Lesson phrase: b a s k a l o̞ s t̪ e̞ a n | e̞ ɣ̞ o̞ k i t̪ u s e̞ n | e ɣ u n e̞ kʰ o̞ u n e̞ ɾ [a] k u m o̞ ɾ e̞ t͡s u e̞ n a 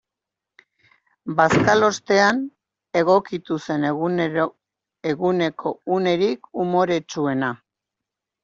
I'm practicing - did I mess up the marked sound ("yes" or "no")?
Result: yes